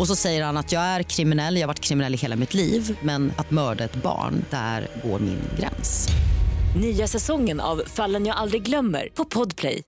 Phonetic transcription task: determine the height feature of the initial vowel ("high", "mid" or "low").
mid